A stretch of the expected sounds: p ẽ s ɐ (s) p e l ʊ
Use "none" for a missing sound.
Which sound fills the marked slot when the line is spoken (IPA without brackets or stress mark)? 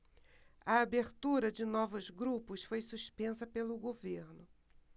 none